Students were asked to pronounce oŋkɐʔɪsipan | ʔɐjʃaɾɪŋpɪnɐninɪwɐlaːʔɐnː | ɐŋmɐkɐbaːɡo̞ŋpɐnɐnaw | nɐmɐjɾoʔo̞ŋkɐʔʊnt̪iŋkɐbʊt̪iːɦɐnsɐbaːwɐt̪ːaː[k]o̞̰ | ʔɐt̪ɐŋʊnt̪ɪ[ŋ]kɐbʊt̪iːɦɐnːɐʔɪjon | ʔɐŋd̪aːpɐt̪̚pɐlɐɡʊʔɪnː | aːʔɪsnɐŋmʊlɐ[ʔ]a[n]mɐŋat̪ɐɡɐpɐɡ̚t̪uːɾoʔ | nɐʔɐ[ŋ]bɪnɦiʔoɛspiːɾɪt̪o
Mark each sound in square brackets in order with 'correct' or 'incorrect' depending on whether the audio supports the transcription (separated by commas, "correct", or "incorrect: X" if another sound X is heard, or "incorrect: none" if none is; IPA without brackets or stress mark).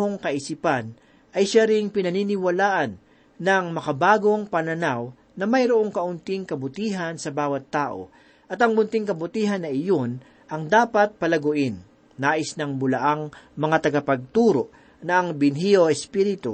incorrect: ʔ, correct, correct, incorrect: ŋ, correct